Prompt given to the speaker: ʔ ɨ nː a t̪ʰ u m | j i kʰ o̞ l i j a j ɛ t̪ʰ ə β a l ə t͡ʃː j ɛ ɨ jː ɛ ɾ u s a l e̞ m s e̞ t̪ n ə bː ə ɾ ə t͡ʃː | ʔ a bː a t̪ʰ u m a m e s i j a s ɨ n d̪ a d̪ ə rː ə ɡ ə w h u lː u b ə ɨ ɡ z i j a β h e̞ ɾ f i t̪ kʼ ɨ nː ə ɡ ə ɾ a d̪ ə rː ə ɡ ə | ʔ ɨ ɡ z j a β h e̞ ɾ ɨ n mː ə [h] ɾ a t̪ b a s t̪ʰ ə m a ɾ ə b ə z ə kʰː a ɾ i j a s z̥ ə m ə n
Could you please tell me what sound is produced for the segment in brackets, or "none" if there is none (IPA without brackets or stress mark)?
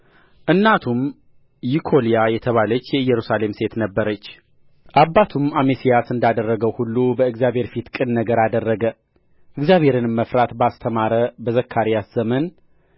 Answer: f